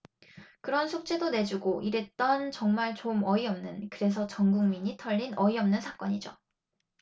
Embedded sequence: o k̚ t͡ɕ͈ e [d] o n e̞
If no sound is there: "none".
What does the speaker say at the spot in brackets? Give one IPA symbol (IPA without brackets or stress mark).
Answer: d